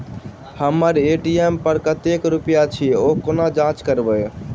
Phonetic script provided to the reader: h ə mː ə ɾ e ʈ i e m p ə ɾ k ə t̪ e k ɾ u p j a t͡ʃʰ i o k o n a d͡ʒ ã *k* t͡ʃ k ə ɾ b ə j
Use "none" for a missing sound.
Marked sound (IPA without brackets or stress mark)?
none